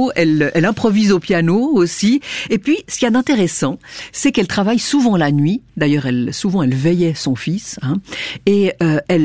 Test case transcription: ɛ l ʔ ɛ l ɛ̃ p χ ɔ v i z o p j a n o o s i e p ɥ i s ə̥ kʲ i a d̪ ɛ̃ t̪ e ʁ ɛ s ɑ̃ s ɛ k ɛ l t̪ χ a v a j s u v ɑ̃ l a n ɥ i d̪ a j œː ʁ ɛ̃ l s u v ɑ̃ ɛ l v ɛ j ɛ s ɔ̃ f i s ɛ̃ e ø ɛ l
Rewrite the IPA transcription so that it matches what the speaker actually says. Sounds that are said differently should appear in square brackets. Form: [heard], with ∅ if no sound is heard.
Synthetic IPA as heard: ɛ l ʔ ɛ l ɛ̃ p χ ɔ v i z o p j a n o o s i e p ɥ i s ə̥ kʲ i a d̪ ɛ̃ t̪ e ʁ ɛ s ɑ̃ s ɛ k ɛ l t̪ χ a v a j s u v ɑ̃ l a n ɥ i d̪ a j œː ʁ [ɛ] l s u v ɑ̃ ɛ l v ɛ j ɛ s ɔ̃ f i s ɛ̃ e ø ɛ l